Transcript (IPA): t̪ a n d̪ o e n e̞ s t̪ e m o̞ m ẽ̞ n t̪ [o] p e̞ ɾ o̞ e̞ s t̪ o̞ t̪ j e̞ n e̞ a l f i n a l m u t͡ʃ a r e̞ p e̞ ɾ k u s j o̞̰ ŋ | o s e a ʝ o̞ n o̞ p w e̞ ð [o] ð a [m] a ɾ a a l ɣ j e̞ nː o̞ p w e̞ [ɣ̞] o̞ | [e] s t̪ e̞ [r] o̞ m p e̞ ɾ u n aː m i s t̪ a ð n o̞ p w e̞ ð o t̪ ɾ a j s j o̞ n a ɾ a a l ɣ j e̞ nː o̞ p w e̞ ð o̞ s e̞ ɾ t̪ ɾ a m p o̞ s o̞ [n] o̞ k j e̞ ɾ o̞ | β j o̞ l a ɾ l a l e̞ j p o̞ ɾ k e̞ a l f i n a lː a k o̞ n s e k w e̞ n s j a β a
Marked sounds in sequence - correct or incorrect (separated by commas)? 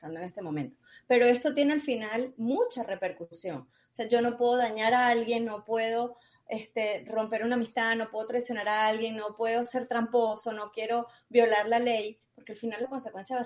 correct, correct, incorrect, incorrect, correct, correct, correct